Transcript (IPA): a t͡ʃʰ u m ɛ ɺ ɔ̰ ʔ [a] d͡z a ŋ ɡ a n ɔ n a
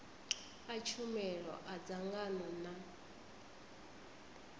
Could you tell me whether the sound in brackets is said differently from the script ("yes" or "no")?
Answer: no